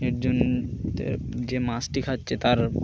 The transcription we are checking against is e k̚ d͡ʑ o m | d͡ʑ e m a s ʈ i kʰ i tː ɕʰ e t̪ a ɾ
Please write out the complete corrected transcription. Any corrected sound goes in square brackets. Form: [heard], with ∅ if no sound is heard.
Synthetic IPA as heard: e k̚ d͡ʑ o [n] | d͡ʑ e m a s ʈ i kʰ [a] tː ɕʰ e t̪ a ɾ